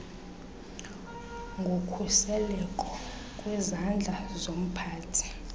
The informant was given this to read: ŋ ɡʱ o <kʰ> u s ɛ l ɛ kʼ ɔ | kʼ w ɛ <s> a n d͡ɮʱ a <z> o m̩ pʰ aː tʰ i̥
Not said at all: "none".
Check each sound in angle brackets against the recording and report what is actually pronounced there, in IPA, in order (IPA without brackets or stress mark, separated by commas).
kʰ, z, z